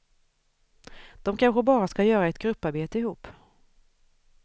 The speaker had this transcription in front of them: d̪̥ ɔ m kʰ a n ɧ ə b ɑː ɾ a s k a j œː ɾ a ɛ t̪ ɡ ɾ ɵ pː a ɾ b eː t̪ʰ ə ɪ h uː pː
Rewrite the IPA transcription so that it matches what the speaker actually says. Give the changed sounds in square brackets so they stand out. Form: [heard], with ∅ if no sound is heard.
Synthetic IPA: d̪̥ ɔ m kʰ a n ɧ ə b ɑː ɾ a s k a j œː ɾ a ɛ t̪ ɡ ɾ ɵ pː a ɾ b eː [t̪] ə ɪ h uː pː